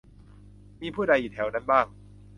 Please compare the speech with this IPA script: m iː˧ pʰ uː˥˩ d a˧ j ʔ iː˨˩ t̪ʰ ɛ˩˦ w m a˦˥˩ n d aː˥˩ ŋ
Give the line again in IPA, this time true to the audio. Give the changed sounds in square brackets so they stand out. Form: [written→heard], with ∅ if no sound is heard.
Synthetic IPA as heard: m iː˧ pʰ uː˥˩ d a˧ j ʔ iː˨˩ t̪ʰ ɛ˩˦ w [m→n] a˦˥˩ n [d→b] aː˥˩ ŋ

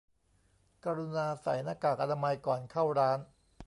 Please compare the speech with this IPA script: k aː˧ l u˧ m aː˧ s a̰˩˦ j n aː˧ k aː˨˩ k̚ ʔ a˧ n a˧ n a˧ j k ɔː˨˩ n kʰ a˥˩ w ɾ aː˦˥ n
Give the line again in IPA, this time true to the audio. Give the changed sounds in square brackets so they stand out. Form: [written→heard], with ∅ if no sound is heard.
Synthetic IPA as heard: k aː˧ [l→ɾ] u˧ [m→n] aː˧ s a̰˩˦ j n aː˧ k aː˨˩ k̚ ʔ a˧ n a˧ [n→m] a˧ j k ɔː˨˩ n kʰ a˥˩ w ɾ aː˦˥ n

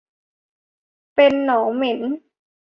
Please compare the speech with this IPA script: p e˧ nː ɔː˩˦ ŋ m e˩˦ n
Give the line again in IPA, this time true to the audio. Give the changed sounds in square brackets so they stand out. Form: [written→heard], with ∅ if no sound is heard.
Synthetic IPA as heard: p e˧ nː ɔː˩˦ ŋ m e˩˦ n

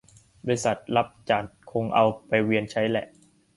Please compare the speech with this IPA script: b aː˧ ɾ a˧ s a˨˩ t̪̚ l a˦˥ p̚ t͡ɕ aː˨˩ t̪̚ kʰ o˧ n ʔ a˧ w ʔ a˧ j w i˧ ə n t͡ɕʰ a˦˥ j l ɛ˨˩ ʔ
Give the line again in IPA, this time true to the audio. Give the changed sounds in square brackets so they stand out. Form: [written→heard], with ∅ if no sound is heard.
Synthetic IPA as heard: b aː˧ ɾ [a˧→i˧] s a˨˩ t̪̚ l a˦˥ p̚ t͡ɕ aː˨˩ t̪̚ kʰ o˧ [n→ŋ] ʔ a˧ w [ʔ→p] a˧ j w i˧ ə n t͡ɕʰ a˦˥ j l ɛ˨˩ ʔ

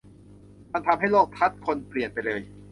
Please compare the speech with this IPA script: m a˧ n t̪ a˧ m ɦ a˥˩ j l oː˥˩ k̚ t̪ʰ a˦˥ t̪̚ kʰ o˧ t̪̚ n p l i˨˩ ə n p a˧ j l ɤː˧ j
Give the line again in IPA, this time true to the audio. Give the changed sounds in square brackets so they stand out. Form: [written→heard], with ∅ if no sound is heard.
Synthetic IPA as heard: m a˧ n [t̪→t̪ʰ] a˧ m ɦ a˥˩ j l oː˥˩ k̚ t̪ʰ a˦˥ t̪̚ kʰ o˧ [t̪̚→∅] n p l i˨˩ ə n p a˧ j l ɤː˧ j

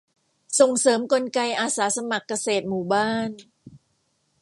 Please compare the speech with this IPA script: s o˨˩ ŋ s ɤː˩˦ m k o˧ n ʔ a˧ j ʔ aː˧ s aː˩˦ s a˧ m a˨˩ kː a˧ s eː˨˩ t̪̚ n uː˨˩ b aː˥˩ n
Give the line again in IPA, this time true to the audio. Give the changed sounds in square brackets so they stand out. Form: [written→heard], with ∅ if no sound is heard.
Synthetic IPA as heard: s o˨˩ ŋ s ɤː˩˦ m k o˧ n [ʔ→k] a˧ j ʔ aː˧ s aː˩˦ s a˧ m a˨˩ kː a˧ s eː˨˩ t̪̚ [n→m] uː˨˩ b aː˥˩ n

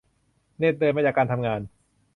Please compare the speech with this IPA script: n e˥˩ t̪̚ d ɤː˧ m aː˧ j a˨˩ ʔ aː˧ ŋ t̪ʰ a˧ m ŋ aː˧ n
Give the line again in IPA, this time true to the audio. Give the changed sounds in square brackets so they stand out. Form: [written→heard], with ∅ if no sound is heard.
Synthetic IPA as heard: n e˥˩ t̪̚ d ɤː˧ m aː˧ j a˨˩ [ʔ→k] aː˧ [ŋ→n] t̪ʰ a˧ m ŋ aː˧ n

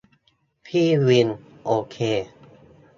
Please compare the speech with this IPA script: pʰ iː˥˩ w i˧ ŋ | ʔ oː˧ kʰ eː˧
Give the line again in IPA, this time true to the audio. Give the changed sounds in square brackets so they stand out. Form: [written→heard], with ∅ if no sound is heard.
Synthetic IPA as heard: pʰ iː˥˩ w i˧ [ŋ→n] | ʔ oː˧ kʰ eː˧

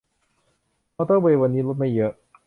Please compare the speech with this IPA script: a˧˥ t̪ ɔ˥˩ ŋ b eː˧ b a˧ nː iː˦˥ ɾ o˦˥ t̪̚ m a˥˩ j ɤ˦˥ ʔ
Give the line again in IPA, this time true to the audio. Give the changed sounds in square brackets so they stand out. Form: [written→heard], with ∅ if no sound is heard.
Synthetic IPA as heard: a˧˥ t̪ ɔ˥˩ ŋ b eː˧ [b→w] a˧ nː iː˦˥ [ɾ→l] o˦˥ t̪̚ m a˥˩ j ɤ˦˥ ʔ

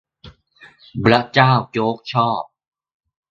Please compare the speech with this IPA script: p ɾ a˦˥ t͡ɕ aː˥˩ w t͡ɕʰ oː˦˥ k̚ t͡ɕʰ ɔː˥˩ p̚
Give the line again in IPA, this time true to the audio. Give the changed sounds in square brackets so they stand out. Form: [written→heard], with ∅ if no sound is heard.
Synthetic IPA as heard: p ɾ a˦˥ t͡ɕ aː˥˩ w [t͡ɕʰ→t͡ɕ] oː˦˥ k̚ t͡ɕʰ ɔː˥˩ p̚

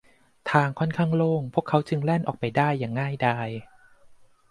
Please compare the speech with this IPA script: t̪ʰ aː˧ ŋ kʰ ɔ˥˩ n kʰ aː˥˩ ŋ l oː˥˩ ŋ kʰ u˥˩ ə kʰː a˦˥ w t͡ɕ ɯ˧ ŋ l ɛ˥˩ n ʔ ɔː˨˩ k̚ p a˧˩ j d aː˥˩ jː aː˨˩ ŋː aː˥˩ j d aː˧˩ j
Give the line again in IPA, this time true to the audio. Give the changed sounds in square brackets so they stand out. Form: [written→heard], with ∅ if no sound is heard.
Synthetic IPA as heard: t̪ʰ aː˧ ŋ kʰ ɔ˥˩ n kʰ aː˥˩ ŋ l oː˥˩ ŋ [kʰ→pʰ] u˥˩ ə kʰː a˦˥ w t͡ɕ ɯ˧ ŋ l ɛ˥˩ n ʔ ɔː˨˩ k̚ p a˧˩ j d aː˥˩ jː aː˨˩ ŋː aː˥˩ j d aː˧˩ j

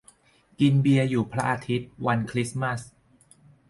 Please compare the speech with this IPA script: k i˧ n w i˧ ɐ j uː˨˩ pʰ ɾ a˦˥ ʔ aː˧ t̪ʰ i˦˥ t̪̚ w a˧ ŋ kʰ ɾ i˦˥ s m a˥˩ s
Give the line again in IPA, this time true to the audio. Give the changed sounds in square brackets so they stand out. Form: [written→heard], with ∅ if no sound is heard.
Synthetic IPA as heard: k i˧ n [w→b] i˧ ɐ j uː˨˩ pʰ ɾ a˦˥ ʔ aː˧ t̪ʰ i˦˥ t̪̚ w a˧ [ŋ→n] kʰ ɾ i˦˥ s m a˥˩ s

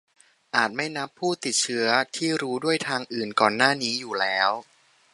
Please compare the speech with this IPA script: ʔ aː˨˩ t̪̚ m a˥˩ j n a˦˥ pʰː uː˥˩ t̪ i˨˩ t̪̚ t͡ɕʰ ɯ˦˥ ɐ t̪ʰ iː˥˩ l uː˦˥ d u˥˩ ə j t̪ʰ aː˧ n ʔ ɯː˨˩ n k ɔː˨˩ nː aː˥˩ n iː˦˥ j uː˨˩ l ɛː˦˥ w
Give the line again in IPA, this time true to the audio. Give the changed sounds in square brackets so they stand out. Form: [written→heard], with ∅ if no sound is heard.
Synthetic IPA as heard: ʔ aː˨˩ t̪̚ m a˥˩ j n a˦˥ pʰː uː˥˩ t̪ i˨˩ t̪̚ t͡ɕʰ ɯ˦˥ ɐ t̪ʰ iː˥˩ [l→ɾ] uː˦˥ d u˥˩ ə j t̪ʰ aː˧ [n→ŋ] ʔ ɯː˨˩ n k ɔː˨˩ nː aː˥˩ n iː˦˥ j uː˨˩ l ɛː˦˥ w

